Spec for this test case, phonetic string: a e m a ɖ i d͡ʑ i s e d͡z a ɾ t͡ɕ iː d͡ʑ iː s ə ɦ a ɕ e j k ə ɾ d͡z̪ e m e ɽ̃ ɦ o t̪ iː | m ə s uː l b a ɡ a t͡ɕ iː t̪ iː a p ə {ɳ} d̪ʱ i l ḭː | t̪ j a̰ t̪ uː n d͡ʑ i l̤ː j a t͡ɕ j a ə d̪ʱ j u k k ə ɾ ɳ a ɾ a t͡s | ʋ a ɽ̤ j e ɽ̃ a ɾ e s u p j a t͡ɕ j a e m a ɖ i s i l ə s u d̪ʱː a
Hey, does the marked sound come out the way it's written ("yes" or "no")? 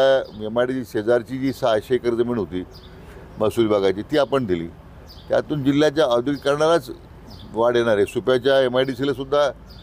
yes